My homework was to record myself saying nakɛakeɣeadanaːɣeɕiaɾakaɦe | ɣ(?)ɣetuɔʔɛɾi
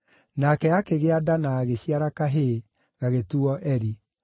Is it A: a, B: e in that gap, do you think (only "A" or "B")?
A